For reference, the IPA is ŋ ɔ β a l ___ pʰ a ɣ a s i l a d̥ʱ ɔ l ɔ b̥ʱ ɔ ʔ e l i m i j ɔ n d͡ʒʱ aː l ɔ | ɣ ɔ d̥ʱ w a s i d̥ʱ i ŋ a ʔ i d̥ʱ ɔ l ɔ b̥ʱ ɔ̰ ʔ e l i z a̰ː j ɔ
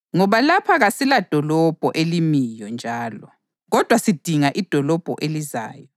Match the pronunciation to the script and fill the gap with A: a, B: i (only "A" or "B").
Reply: A